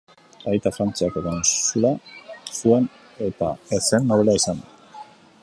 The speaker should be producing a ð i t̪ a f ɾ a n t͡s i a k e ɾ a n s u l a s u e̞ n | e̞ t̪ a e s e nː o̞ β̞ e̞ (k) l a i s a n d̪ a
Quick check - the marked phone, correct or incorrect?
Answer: incorrect